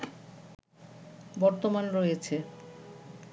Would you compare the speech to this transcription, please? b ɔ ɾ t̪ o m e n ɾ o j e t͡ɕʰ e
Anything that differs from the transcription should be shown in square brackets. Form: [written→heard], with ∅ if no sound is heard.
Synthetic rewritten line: b ɔ ɾ t̪ o m [e→a] n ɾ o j e t͡ɕʰ e

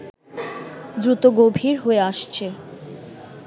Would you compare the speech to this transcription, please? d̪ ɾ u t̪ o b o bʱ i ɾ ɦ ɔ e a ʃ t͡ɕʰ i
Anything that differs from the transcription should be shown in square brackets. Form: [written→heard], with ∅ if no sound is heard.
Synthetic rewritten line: d̪ ɾ u t̪ o [b→ɡ] o bʱ i ɾ ɦ [ɔ→o] e a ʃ t͡ɕʰ [i→e]

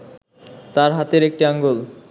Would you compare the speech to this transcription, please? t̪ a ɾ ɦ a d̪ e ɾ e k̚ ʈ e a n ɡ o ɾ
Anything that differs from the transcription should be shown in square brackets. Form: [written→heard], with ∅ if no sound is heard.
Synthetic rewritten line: t̪ a ɾ ɦ a [d̪→t̪] e ɾ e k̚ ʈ [e→i] a [n→ŋ] ɡ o [ɾ→l]

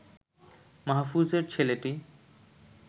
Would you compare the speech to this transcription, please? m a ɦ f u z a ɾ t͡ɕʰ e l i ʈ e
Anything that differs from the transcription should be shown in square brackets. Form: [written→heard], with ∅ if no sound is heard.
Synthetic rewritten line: m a ɦ f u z [a→e] ɾ t͡ɕʰ e l [i→e] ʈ [e→i]

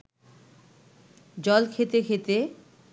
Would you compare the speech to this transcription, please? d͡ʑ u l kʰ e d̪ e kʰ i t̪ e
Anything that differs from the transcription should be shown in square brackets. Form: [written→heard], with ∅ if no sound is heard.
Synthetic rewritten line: d͡ʑ [u→ɔ] l kʰ e [d̪→t̪] e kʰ [i→e] t̪ e

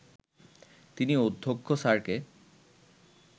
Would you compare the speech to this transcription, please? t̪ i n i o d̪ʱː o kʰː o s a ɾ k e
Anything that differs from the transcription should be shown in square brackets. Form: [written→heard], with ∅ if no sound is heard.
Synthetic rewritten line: t̪ i n i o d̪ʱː o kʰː o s a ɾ k e

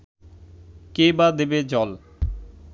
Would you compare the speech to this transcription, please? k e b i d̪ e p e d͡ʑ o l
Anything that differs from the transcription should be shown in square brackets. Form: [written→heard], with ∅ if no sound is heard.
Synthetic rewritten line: k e b [i→a] d̪ e [p→b] e d͡ʑ [o→ɔ] l

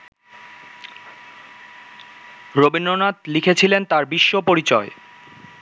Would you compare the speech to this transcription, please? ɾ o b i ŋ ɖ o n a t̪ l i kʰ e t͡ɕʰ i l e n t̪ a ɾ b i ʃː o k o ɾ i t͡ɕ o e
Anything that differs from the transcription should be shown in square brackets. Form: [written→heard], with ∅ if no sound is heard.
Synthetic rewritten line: ɾ o b i [ŋ→n] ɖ o n a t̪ l i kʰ e t͡ɕʰ i l e n t̪ a ɾ b i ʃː o [k→p] o ɾ i t͡ɕ [o→ɔ] e

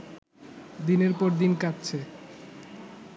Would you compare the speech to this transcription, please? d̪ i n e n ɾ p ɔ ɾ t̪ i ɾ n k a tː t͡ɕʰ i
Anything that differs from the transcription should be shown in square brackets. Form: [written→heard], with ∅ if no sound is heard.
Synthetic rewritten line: d̪ i n e [n→∅] ɾ p ɔ ɾ [t̪→d̪] i [ɾ→∅] n k a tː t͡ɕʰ [i→e]

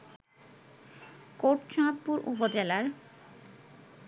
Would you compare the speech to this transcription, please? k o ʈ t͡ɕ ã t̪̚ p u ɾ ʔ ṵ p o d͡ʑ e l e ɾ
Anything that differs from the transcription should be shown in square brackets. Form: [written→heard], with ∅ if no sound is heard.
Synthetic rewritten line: k o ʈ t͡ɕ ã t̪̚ p u ɾ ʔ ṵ p o d͡ʑ e l [e→a] ɾ

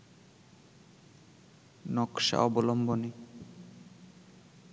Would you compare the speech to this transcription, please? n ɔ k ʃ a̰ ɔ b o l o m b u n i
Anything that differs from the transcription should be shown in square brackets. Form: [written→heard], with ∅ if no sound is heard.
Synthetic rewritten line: n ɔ k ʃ a̰ ɔ b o l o m b [u→o] n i

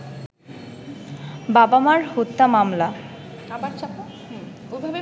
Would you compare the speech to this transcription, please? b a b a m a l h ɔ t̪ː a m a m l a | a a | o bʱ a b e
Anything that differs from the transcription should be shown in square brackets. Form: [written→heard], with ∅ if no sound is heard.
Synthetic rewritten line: b a b a m a [l→ɾ] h [ɔ→o] t̪ː a m a m l a | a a | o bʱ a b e

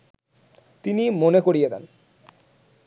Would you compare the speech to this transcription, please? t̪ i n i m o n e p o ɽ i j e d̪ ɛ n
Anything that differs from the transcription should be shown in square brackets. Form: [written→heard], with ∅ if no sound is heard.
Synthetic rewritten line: t̪ i n i m o n e [p→k] o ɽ i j e d̪ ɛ n

